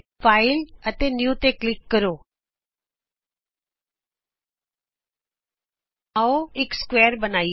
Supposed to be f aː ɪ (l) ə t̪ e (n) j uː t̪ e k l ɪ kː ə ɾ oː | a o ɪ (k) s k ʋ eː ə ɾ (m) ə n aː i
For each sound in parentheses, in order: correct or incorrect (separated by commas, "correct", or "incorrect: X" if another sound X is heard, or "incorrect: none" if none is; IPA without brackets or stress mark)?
correct, correct, correct, incorrect: b